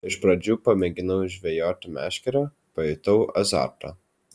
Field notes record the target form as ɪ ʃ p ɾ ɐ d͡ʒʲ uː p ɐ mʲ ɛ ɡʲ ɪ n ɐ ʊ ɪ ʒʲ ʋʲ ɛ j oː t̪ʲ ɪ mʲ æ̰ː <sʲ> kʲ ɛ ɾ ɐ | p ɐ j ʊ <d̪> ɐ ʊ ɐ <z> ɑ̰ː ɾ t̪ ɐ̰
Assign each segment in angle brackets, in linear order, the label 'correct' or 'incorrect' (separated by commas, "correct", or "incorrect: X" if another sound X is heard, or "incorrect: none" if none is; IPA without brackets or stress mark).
incorrect: ʃʲ, incorrect: t̪, correct